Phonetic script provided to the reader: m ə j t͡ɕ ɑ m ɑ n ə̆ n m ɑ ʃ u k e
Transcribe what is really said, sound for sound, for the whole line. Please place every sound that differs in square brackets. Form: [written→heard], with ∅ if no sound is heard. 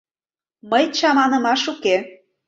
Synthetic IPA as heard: m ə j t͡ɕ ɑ m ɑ n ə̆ [n→∅] m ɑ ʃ u k e